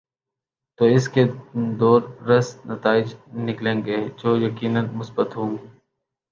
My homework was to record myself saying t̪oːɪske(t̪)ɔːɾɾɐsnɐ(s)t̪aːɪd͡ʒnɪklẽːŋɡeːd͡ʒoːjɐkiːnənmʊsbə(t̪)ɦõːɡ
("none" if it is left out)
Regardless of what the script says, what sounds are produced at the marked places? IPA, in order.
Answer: d̪, none, t̪

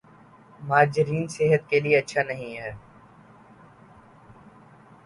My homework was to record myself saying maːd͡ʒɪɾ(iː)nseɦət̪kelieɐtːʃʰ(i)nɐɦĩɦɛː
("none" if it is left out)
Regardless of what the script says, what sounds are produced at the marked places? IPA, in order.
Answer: iː, a

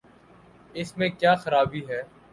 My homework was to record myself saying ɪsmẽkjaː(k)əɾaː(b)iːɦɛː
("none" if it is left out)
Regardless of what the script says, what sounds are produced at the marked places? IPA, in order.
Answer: x, b

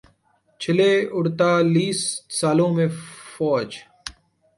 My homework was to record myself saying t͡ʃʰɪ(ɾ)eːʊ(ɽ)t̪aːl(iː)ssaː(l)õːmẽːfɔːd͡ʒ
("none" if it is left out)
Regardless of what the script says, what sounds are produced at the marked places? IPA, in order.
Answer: l, ɽ, iː, l

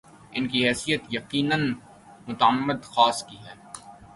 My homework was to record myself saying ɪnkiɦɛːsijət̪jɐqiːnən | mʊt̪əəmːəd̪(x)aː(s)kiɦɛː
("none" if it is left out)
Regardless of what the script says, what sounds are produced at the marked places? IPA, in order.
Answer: x, s

